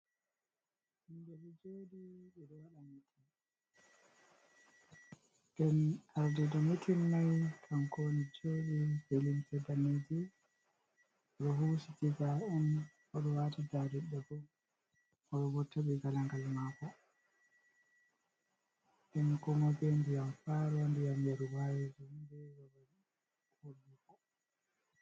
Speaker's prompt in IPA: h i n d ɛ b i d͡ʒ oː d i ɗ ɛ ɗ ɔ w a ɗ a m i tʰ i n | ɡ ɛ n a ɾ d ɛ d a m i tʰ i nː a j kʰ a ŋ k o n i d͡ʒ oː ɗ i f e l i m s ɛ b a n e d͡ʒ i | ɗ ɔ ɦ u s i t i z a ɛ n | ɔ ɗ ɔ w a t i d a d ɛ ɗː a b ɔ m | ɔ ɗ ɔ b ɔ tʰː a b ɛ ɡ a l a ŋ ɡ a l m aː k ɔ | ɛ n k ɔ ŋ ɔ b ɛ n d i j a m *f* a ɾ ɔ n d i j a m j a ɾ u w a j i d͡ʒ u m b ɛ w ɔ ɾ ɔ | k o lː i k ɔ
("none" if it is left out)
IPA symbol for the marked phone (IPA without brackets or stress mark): f